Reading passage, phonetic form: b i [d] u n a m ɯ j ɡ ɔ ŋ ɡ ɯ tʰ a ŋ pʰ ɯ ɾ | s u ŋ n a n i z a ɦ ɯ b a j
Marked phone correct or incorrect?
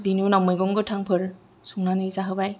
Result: incorrect